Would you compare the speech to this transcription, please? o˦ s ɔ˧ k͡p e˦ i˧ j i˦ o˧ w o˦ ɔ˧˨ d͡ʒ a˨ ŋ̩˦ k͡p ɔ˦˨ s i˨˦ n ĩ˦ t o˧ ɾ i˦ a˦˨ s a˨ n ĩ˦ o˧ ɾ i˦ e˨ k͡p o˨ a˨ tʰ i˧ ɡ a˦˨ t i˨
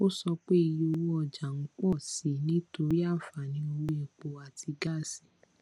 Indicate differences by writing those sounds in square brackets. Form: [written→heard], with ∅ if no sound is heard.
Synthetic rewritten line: o˦ s ɔ˧ k͡p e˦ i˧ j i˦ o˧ w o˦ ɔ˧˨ d͡ʒ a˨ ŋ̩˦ k͡p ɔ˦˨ s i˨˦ n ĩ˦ t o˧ ɾ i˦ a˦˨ [s→f] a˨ n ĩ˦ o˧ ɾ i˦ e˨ k͡p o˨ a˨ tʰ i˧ ɡ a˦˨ [t→s] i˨